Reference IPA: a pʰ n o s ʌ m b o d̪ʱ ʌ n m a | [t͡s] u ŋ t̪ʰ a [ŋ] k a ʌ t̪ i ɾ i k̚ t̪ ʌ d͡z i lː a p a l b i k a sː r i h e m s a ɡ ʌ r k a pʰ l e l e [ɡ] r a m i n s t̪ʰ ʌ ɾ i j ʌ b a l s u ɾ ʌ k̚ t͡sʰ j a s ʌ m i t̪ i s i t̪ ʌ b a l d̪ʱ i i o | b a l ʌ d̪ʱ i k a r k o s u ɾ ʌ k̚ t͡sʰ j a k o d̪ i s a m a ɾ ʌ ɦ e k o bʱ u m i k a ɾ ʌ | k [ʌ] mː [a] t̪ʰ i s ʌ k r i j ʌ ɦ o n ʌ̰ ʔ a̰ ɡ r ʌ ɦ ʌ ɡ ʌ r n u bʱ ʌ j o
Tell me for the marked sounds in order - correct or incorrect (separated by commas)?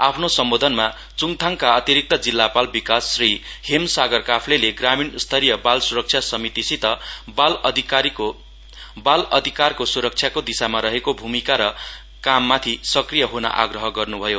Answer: correct, correct, correct, incorrect, correct